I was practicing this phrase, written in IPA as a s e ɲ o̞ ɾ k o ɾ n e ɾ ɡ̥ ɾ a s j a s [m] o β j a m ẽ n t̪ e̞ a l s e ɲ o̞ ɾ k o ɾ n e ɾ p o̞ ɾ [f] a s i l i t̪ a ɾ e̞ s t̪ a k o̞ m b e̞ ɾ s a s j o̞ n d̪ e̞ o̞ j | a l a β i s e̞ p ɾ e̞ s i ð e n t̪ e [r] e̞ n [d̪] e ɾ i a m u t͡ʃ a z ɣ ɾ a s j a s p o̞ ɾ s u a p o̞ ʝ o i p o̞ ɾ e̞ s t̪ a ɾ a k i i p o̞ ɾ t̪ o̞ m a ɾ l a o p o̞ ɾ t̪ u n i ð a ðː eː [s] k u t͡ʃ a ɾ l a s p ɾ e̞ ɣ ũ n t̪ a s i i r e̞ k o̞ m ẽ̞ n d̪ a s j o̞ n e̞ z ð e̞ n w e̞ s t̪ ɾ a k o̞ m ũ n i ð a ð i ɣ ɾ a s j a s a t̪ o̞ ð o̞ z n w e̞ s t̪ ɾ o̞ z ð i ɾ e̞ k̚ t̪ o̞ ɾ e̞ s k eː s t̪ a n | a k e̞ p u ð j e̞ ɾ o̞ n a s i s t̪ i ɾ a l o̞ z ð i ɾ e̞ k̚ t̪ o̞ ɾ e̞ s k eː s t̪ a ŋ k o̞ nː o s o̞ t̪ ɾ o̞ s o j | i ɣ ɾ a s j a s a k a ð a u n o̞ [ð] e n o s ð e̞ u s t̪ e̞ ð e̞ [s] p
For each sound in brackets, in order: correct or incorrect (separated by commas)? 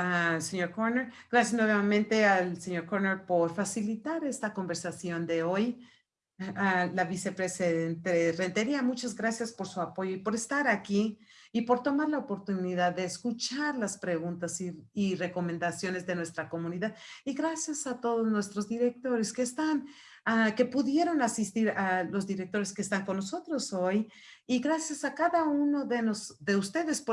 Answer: incorrect, correct, correct, incorrect, correct, correct, correct